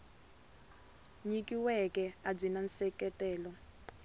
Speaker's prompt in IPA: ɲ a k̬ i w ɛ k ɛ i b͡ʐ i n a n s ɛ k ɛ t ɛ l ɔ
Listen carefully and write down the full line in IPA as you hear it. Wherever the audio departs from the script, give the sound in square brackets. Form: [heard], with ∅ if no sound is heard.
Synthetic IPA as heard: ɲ [i] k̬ i w ɛ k ɛ [a] b͡ʐ i n a n s ɛ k ɛ t [ɛː] l ɔ